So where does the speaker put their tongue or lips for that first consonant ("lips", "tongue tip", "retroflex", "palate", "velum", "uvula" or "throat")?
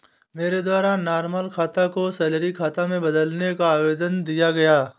lips